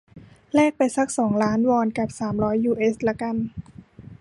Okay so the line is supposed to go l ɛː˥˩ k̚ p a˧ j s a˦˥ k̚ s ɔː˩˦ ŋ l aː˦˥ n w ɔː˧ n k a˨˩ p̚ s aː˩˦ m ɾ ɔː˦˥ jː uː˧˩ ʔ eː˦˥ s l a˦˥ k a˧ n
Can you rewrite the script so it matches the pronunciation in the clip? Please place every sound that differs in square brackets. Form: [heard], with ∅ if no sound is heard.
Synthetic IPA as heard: l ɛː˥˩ k̚ p a˧ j s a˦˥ k̚ s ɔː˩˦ ŋ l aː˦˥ n w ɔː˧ n k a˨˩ p̚ s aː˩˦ m ɾ ɔː˦˥ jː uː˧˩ ʔ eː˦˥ s l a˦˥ k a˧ n